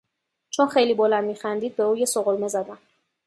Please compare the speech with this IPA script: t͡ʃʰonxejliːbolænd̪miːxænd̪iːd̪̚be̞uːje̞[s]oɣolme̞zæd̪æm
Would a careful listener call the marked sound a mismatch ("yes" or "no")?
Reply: no